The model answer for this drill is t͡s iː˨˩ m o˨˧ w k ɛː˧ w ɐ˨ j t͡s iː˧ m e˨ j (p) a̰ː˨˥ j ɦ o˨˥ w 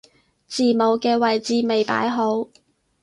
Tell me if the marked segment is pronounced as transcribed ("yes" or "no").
yes